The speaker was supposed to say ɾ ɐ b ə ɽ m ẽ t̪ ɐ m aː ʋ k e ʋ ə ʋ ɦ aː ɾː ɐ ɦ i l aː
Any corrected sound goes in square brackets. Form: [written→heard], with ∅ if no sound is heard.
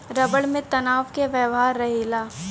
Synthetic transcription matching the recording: ɾ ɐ b ə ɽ m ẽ t̪ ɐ [m→n] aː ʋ k e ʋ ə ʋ ɦ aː ɾː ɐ ɦ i l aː